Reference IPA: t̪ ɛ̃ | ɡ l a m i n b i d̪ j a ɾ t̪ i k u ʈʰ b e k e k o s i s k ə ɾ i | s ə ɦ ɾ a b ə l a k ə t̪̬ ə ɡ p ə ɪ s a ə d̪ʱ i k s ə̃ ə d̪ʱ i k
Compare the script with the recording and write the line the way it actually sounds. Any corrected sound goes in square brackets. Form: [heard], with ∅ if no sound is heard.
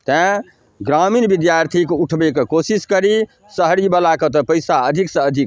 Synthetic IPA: t̪ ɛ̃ | ɡ [ɾ] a m i n b i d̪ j a ɾ [t̪ʰ] i k u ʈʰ b e k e k o s i s k ə ɾ i | s ə ɦ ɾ [i] b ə l a k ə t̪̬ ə [∅] p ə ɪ s a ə d̪ʱ i k s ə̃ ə d̪ʱ i k